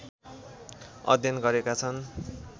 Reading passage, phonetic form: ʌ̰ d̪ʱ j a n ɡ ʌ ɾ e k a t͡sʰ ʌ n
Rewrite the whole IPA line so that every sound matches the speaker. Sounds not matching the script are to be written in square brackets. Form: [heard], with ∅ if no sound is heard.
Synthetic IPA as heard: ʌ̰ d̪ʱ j [ʌ] n ɡ ʌ ɾ e k a t͡sʰ ʌ n